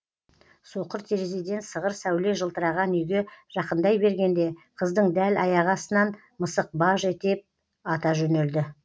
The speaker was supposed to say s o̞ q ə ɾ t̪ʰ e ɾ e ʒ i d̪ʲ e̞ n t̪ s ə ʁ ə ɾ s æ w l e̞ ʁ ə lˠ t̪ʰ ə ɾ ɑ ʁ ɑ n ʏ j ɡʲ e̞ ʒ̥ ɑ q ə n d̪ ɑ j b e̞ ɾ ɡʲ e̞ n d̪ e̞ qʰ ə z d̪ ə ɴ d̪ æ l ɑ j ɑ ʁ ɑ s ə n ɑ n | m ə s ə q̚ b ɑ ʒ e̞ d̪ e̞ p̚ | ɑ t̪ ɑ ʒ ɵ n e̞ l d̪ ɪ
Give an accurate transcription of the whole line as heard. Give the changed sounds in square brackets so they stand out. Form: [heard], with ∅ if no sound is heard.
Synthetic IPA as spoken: s o̞ q ə ɾ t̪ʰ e ɾ e [z] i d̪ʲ e̞ n t̪ s ə ʁ ə ɾ s æ w l e̞ [ʒ] ə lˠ [t̪] ə ɾ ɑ ʁ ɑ n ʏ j ɡʲ e̞ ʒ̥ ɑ q ə n d̪ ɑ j b e̞ ɾ ɡʲ e̞ n d̪ e̞ qʰ ə z d̪ ə ɴ d̪ æ l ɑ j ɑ ʁ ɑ s ə n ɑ n | m ə s ə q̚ b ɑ ʒ e̞ [t̪] e̞ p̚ | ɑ t̪ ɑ ʒ ɵ n e̞ l d̪ ɪ